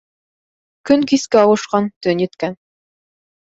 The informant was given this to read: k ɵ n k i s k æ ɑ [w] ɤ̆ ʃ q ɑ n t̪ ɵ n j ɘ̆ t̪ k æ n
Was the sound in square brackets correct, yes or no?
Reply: yes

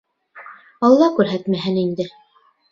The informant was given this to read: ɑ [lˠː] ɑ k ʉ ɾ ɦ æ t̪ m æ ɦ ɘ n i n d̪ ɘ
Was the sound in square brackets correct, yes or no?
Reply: yes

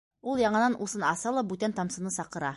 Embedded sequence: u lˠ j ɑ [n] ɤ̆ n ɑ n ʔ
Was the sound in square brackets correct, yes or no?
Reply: no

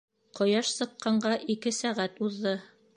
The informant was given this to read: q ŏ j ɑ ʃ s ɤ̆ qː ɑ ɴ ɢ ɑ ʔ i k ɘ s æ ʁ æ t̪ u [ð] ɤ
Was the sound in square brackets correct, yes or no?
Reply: no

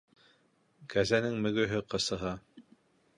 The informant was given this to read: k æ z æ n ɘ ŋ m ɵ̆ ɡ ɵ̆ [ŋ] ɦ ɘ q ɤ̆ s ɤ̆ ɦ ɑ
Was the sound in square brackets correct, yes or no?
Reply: no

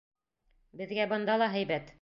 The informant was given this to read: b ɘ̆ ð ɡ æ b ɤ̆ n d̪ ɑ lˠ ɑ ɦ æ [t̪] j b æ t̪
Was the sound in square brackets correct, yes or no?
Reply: no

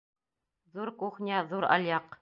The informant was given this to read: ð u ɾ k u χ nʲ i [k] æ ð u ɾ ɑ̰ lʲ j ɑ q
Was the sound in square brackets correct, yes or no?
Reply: no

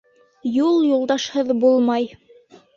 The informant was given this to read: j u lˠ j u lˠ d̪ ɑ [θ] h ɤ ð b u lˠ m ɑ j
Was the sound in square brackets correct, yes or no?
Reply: no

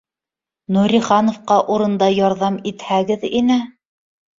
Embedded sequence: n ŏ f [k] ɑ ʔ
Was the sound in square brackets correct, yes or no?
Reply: no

